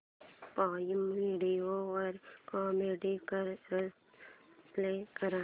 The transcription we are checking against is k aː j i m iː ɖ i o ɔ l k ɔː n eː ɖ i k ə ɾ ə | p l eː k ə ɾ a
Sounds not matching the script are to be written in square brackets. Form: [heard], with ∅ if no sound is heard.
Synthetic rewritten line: [p] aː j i m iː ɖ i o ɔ [ɾ] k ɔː [m] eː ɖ i k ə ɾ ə | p l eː k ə ɾ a